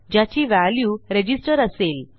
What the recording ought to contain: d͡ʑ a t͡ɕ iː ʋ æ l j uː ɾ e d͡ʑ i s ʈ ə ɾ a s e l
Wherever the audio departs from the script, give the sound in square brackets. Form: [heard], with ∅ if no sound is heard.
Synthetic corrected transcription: d͡ʑ a t͡ɕ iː ʋ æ l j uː ɾ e d͡ʑ i s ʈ ə ɾ [ə] s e l